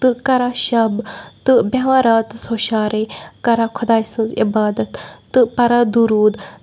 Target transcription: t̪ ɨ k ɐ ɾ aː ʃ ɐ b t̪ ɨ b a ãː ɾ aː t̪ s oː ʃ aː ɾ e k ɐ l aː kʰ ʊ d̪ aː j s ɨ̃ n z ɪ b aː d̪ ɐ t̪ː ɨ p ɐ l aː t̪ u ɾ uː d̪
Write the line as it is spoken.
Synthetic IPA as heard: t̪ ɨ k ɐ ɾ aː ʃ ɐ b t̪ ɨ b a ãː ɾ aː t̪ s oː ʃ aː ɾ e k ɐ ɾ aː kʰ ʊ d̪ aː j s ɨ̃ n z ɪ b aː d̪ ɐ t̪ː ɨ p ɐ ɾ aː d̪ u ɾ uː d̪